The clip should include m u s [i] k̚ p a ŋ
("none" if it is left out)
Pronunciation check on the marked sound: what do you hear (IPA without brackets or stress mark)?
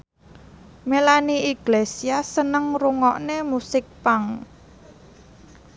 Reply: ɪ